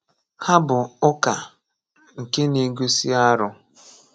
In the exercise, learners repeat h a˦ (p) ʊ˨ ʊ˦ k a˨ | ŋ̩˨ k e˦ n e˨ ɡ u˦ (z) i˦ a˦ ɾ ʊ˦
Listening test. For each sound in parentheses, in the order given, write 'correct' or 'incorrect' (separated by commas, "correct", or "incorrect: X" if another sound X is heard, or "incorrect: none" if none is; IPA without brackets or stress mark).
incorrect: b, incorrect: s